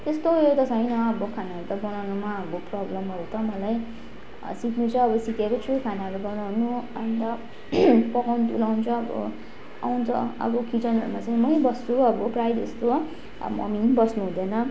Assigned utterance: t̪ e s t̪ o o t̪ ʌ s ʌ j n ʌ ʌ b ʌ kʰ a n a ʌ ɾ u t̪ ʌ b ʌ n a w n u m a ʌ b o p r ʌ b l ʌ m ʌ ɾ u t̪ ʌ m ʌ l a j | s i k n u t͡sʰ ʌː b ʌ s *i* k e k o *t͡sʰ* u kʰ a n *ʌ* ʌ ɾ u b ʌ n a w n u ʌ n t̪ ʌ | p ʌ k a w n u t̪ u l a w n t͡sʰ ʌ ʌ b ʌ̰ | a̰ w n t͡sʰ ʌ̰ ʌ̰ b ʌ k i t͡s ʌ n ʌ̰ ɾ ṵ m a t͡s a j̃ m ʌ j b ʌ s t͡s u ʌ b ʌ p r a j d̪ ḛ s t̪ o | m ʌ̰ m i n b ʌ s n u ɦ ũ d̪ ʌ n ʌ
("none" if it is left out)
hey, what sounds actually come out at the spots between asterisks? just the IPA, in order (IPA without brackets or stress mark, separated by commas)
i, t͡sʰ, a